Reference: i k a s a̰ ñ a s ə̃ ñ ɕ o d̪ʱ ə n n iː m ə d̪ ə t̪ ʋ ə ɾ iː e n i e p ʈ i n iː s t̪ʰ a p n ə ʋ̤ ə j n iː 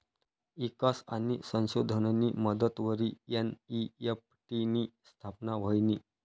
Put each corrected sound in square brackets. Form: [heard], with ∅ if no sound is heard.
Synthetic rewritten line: i k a s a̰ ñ [i] s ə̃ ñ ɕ o d̪ʱ ə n n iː m ə d̪ ə t̪ ʋ ə ɾ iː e n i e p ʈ i n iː s t̪ʰ a p n [a] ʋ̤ ə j n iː